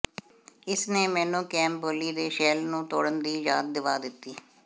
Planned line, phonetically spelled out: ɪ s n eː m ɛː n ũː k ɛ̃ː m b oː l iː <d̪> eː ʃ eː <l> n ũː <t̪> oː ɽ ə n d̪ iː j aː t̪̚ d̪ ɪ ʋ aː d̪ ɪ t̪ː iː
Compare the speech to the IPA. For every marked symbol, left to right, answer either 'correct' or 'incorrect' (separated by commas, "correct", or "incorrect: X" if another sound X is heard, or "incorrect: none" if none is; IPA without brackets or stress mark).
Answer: correct, correct, correct